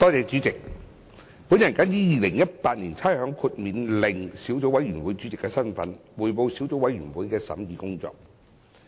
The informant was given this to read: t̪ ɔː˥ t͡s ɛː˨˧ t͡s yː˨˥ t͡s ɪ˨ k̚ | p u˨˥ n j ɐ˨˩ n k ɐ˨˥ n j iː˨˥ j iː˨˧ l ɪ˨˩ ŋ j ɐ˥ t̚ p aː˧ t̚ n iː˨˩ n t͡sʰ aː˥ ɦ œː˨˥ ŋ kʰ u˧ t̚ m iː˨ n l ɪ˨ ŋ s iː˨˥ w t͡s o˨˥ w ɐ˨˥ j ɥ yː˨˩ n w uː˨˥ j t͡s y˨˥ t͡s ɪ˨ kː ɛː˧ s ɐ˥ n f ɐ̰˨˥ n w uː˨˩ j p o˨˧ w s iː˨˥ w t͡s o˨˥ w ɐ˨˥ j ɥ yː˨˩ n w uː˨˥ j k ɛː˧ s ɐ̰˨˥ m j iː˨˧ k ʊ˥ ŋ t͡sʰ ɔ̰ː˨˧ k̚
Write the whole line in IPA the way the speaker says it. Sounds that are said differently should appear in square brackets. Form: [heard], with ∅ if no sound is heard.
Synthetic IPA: t̪ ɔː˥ t͡s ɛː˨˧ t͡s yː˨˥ t͡s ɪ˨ k̚ | p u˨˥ n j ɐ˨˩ n k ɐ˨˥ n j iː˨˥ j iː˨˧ l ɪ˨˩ ŋ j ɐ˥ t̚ p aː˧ t̚ n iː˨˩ n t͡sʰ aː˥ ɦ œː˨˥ ŋ kʰ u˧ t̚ m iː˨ n l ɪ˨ ŋ s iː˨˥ w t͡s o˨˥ w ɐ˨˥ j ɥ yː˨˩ n w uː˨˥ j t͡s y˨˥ t͡s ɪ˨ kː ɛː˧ s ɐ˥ n f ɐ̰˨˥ n w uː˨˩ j p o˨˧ w s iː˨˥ w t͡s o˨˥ w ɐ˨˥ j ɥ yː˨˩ n w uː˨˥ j k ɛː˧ s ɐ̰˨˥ m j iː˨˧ k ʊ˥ ŋ [t͡s] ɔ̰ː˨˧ k̚

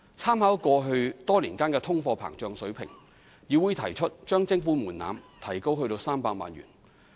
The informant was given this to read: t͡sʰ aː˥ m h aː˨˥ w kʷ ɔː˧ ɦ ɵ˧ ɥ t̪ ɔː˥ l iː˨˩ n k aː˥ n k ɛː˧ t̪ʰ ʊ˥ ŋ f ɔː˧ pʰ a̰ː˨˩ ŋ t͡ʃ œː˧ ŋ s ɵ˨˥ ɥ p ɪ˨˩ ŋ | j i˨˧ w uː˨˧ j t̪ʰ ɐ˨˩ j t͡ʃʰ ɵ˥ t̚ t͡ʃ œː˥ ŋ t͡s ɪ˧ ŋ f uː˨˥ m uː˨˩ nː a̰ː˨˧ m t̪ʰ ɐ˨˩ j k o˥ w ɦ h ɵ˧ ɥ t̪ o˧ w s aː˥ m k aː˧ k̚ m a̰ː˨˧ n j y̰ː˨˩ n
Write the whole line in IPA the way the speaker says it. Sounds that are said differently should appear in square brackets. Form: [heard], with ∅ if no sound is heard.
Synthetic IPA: t͡sʰ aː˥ m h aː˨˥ w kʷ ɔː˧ ɦ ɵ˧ ɥ t̪ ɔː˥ l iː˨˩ n k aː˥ n k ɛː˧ t̪ʰ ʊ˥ ŋ f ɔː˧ pʰ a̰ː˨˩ ŋ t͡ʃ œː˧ ŋ s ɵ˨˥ ɥ [pʰ] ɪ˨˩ ŋ | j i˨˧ w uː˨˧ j t̪ʰ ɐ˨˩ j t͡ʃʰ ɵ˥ t̚ t͡ʃ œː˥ ŋ t͡s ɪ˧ ŋ f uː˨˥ m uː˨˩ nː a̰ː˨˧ m t̪ʰ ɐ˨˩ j k o˥ w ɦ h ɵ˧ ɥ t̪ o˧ w s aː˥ m [p] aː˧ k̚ m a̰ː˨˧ n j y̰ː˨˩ n

